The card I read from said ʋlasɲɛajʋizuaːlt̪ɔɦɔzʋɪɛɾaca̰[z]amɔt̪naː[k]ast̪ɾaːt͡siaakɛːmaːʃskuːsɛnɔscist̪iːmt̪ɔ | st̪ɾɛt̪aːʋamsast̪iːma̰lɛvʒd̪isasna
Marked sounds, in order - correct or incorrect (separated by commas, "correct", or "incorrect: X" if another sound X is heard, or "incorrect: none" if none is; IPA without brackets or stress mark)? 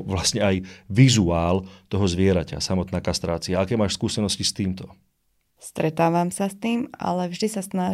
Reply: incorrect: s, correct